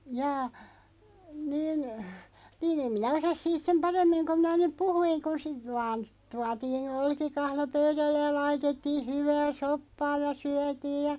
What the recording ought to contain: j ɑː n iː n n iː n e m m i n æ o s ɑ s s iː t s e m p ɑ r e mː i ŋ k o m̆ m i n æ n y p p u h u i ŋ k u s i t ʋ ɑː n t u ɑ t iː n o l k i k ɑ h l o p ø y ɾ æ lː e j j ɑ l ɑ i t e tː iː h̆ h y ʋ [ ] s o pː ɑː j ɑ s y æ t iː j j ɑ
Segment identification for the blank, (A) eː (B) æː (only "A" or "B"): B